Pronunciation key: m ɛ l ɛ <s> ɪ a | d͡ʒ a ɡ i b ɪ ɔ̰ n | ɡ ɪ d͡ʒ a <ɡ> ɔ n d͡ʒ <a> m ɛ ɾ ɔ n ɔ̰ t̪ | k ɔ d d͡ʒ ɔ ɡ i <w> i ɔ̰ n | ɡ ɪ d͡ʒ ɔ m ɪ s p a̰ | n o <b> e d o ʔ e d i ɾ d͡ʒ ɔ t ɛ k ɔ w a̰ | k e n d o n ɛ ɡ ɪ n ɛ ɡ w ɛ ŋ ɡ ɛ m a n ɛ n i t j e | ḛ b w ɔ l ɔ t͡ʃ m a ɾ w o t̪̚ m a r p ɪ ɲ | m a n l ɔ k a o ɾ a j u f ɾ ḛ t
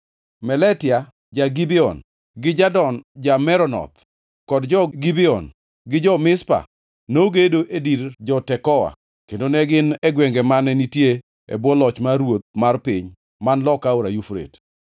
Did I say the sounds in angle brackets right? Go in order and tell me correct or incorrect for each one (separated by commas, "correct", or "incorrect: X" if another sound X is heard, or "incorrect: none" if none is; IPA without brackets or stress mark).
incorrect: t, incorrect: d, correct, incorrect: b, incorrect: ɡ